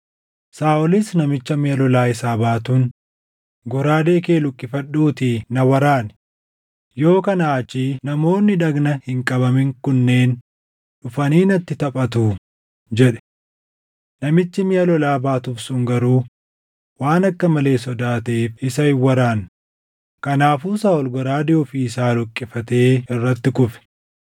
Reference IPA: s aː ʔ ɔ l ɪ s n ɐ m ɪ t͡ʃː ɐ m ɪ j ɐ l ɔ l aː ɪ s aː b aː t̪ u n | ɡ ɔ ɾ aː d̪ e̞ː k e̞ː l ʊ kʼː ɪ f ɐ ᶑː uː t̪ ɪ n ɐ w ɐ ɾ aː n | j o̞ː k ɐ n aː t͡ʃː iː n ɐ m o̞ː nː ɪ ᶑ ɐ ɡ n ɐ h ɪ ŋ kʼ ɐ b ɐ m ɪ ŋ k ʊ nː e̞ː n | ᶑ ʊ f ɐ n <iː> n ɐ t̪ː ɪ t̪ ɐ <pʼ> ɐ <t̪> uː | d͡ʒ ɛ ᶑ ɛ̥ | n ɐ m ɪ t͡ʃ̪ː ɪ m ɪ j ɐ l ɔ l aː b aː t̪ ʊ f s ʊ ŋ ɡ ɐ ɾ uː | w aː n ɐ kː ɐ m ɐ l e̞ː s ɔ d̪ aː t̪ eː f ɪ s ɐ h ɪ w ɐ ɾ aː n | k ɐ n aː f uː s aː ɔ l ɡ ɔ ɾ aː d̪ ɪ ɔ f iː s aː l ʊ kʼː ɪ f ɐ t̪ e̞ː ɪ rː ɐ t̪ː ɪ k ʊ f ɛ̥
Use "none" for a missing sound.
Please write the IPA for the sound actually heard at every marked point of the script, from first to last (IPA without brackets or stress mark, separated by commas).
iː, pʼ, t̪